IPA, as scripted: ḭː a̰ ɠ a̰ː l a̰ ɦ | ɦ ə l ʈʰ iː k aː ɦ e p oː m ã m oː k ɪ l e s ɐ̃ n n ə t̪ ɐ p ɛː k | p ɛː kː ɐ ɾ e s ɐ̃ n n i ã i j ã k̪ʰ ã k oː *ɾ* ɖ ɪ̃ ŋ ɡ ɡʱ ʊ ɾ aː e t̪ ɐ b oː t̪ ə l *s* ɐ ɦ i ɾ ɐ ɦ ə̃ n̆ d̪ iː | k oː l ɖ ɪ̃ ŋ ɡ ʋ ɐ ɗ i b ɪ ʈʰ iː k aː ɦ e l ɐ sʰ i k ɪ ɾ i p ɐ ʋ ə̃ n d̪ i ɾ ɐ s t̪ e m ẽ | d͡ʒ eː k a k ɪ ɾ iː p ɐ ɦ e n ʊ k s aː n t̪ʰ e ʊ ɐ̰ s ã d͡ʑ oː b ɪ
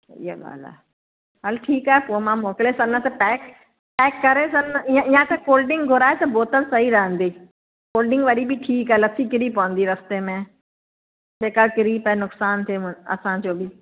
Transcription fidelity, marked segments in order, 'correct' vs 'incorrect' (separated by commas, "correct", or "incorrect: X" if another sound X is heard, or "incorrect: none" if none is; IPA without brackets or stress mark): incorrect: l, correct